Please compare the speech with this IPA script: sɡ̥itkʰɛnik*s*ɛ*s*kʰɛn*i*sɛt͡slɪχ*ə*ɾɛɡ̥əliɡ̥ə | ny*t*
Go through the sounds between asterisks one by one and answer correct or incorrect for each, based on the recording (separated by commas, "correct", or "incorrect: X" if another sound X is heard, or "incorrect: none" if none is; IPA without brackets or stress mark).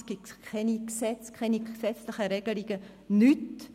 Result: correct, incorrect: t͡s, correct, correct, correct